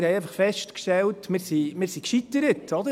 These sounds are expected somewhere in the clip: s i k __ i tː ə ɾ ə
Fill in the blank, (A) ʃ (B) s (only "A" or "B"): A